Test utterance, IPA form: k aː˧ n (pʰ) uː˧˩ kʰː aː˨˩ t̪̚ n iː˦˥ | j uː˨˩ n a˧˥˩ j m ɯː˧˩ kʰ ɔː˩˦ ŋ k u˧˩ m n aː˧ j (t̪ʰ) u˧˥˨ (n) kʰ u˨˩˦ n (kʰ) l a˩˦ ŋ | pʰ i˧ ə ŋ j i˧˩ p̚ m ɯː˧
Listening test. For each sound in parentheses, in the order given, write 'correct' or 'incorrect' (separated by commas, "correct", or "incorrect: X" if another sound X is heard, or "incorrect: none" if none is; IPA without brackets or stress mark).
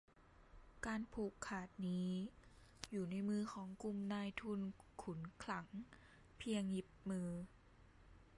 correct, correct, correct, correct